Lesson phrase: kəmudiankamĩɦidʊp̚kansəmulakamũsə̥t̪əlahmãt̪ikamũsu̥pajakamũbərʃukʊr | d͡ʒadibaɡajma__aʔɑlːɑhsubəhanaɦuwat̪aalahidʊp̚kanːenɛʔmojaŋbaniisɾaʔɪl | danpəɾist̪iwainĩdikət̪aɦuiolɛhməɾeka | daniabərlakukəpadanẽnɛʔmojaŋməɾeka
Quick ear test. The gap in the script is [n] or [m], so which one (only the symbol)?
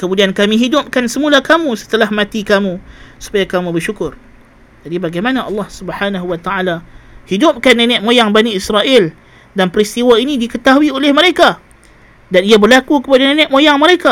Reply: n